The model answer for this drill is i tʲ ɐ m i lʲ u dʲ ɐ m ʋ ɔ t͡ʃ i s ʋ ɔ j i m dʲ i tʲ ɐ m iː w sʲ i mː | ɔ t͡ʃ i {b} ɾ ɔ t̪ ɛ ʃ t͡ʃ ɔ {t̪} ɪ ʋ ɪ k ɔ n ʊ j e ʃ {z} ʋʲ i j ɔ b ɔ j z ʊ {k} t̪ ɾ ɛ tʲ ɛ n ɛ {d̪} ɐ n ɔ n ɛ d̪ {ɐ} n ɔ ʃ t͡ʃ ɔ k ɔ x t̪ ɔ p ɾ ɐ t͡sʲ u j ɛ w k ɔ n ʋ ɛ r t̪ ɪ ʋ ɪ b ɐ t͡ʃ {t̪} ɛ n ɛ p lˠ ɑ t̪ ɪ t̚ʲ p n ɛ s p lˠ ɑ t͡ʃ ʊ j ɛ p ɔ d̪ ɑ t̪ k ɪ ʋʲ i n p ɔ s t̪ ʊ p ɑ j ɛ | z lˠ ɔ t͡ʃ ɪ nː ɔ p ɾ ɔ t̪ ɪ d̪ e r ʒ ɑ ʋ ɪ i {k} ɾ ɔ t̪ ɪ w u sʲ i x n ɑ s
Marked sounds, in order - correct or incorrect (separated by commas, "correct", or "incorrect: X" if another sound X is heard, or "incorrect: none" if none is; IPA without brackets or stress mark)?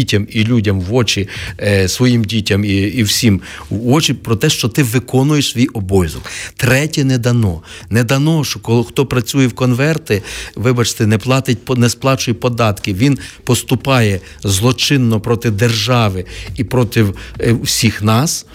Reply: incorrect: p, correct, incorrect: s, correct, correct, correct, correct, incorrect: p